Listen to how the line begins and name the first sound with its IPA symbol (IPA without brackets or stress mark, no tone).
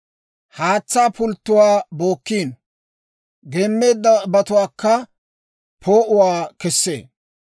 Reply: h